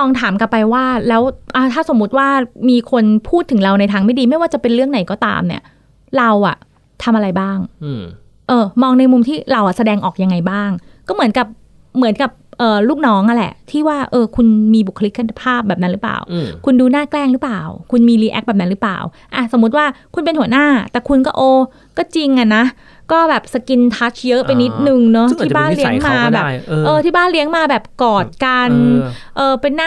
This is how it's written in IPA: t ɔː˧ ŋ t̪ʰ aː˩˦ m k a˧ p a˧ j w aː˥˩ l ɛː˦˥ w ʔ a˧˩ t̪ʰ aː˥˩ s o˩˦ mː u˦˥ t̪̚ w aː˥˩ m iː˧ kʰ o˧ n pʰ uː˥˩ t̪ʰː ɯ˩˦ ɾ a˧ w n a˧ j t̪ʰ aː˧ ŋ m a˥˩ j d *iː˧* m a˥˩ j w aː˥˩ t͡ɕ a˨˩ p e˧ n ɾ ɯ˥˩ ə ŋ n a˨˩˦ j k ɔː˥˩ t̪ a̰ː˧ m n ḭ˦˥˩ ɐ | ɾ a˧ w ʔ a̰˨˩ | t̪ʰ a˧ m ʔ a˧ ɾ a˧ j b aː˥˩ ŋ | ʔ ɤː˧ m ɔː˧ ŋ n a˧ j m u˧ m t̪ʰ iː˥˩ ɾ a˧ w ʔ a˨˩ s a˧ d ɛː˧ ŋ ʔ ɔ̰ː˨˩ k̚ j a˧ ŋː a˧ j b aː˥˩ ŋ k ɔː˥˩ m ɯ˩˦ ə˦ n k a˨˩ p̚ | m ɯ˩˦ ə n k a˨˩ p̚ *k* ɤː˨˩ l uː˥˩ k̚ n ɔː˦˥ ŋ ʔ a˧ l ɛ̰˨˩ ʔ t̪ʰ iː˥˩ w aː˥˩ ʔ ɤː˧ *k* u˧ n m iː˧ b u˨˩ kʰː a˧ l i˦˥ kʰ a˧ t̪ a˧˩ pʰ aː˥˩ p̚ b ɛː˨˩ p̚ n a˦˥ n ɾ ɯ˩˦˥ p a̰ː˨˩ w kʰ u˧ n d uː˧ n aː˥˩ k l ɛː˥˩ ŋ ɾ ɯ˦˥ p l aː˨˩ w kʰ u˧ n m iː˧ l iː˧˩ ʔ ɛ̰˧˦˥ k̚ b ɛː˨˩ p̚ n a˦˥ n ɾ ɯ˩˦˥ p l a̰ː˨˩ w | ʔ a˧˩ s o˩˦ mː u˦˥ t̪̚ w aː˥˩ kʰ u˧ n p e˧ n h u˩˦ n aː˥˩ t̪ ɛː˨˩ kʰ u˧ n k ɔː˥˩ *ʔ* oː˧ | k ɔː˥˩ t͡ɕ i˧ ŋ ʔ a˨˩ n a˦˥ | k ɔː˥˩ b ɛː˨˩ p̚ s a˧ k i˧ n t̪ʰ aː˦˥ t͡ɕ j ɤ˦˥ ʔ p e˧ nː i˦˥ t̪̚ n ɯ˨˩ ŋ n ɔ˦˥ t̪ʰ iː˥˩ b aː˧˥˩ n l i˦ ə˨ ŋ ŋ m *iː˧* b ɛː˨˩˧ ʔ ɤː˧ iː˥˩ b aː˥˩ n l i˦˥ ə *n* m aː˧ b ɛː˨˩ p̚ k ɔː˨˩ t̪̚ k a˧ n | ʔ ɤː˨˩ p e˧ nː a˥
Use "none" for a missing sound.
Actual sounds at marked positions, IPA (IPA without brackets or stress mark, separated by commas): iː˧, ʔ, kʰ, ʔ, aː˧, ŋ